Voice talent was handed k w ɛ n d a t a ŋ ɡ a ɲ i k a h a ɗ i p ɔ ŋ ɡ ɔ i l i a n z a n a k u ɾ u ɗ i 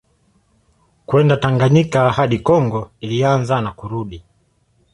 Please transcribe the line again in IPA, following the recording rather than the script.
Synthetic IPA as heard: k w ɛ n d a t a ŋ ɡ a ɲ i k a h a ɗ i k ɔ ŋ ɡ ɔ i l i a n z a n a k u ɾ u ɗ i